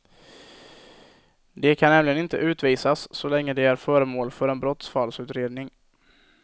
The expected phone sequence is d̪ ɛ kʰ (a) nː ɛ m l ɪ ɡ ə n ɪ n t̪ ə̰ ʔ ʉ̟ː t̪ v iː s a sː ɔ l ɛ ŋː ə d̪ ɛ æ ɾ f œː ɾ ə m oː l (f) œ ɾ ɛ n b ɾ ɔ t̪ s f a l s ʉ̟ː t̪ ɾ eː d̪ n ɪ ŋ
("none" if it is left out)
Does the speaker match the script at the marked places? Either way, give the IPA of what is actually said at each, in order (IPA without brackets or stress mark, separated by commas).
a, f